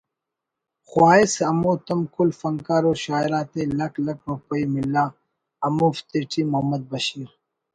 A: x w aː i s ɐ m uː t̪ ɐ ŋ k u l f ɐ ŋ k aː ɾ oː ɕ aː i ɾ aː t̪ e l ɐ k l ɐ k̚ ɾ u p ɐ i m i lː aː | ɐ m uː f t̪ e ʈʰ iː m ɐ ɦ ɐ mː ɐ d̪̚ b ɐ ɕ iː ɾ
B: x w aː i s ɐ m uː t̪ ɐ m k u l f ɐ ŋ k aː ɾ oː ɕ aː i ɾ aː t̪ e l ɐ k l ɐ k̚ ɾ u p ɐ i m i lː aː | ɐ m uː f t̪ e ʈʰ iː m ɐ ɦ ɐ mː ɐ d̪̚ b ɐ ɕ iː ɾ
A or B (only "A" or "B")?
B